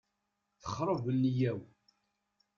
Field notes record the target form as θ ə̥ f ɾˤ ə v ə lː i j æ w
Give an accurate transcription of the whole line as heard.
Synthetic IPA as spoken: θ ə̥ χ ɾˤ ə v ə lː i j æ w